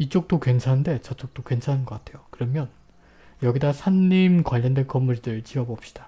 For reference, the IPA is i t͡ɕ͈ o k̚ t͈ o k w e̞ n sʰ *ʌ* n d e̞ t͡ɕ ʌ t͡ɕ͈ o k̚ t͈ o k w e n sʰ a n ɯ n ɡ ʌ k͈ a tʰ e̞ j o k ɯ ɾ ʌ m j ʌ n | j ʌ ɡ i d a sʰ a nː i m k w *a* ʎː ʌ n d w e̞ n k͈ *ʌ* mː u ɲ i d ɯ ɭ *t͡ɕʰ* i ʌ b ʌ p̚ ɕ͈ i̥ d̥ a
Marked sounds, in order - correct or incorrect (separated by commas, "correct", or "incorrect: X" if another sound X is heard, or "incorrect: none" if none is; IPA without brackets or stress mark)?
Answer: incorrect: a, correct, correct, incorrect: t͡ɕ